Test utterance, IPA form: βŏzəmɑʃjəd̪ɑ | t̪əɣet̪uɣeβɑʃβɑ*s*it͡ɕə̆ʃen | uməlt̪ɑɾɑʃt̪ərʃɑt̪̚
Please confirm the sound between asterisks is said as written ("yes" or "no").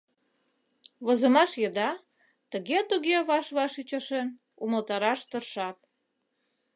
no